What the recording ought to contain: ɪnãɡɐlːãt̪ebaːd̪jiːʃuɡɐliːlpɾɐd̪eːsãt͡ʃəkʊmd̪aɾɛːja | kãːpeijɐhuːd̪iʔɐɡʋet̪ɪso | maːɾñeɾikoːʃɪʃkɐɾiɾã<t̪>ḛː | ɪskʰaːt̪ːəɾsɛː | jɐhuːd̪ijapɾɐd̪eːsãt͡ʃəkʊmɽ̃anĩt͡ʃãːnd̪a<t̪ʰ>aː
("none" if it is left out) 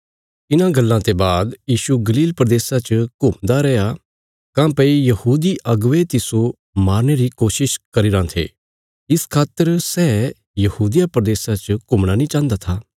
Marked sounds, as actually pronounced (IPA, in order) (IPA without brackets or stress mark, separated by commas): t̪ʰ, t̪ʰ